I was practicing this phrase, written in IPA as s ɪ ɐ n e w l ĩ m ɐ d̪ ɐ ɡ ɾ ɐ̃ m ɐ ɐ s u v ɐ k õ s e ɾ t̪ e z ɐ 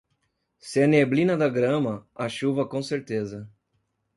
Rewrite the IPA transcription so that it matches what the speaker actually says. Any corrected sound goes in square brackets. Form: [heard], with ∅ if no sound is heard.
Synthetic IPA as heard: s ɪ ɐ n e [b] l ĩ [n] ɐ d̪ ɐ ɡ ɾ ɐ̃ m ɐ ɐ [ʃ] u v ɐ k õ s e ɾ t̪ e z ɐ